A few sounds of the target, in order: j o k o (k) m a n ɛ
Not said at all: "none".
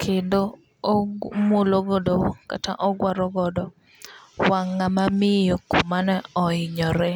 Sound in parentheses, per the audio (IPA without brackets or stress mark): none